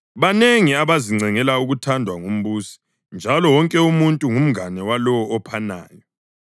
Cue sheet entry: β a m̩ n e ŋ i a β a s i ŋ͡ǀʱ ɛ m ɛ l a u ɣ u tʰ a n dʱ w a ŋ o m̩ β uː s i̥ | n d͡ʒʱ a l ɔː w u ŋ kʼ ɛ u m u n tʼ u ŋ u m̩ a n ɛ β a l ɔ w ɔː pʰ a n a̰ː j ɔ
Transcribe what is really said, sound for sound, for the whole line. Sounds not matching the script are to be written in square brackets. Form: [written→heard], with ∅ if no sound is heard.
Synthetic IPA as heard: β a [m̩→∅] n e ŋ i a β a [s→z] i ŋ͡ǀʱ ɛ [m→ŋ] ɛ l a u ɣ u tʰ a n dʱ w a ŋ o m̩ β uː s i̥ | n d͡ʒʱ a l [ɔː→ɔ] w [u→ɔ] ŋ kʼ ɛ u m u n tʼ u ŋ u m̩ a n ɛ [β→w] a l ɔ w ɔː pʰ a n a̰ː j ɔ